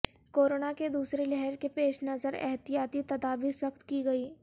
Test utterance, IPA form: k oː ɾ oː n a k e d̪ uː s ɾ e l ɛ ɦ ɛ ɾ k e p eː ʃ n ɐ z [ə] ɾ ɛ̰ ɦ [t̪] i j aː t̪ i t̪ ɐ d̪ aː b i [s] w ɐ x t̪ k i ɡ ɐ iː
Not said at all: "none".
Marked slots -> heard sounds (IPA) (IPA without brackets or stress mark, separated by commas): ə, t̪, s